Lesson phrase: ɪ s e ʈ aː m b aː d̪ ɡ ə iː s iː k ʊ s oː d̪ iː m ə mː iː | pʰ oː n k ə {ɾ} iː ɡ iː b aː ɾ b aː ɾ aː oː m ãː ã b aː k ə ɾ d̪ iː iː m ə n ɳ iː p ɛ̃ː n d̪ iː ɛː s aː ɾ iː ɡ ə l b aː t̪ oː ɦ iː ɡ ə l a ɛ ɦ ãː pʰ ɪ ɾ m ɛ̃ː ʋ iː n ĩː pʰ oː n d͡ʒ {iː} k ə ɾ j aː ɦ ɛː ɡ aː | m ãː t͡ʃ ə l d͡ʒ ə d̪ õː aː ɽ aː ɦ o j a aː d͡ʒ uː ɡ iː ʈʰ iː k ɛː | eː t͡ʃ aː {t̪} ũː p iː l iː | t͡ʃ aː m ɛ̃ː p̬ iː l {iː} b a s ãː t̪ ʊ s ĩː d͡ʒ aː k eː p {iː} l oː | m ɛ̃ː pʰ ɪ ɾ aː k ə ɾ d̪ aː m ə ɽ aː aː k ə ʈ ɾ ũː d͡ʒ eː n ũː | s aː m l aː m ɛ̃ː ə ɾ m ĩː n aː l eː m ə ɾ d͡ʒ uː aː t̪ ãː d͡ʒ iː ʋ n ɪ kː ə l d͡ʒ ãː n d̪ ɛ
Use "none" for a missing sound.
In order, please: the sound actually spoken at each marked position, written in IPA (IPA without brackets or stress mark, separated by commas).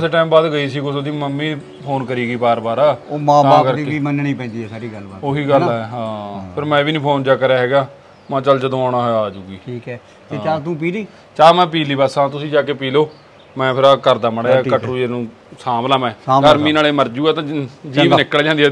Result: ɾ, aː, t̪, iː, iː